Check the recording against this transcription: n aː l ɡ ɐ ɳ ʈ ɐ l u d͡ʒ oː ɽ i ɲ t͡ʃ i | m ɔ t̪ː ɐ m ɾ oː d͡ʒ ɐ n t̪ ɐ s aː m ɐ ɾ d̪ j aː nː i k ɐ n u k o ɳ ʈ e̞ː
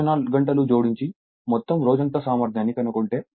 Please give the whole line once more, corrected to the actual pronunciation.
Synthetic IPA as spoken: n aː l ɡ ɐ ɳ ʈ ɐ l u d͡ʒ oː ɽ i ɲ t͡ʃ i | m ɔ t̪ː ɐ m ɾ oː d͡ʒ ɐ n t̪ ɐ s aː m ɐ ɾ d̪ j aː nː i k ɐ n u k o ɳ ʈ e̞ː